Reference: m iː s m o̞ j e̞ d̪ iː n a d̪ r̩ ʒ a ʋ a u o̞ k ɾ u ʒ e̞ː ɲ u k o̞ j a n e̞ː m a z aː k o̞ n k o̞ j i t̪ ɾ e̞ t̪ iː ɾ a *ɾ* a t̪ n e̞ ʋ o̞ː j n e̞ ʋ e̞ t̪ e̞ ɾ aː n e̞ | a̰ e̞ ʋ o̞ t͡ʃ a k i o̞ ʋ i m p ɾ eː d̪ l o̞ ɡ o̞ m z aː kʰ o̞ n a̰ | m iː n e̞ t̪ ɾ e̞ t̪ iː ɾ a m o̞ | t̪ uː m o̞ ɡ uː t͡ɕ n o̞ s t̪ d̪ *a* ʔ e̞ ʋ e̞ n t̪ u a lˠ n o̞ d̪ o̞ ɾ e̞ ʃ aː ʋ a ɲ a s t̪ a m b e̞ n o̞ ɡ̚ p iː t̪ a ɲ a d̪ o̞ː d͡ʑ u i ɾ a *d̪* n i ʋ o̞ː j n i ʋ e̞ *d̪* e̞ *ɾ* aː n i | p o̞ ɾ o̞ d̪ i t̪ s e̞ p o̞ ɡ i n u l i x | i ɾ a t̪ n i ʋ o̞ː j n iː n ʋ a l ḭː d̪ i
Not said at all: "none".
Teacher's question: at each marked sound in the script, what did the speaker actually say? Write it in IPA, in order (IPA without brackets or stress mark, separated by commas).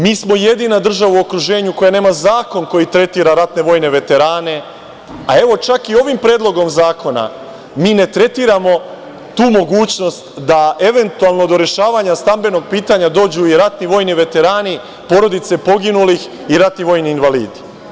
ɾ, a, t̪, t̪, ɾ